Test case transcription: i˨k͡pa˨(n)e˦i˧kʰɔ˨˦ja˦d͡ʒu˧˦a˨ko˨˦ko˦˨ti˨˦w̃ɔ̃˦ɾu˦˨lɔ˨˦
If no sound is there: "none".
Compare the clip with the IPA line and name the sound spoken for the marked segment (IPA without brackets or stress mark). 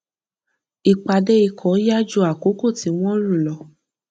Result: d